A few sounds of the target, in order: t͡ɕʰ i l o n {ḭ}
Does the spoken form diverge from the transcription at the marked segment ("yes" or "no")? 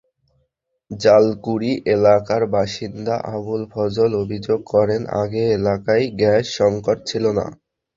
yes